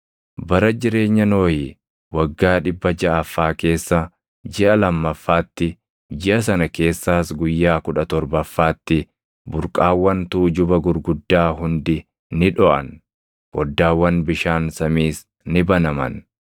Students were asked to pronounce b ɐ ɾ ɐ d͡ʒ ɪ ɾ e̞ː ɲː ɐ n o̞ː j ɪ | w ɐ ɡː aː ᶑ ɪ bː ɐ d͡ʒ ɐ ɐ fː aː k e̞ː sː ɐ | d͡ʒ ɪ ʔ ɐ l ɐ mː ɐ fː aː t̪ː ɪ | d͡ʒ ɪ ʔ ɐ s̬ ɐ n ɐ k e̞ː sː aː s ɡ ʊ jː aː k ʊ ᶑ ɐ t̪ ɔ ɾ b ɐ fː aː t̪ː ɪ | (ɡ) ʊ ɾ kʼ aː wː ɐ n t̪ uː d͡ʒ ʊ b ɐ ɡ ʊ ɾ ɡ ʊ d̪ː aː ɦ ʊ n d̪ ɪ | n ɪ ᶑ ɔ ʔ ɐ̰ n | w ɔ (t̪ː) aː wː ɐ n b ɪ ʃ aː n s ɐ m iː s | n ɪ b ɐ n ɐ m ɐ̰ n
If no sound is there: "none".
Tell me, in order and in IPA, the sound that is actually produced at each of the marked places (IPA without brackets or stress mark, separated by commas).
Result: b, d̪ː